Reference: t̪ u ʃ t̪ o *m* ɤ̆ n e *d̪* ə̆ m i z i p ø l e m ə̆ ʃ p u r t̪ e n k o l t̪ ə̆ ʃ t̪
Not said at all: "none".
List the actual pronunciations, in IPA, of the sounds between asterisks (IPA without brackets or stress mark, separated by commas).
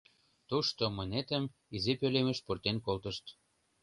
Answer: m, t̪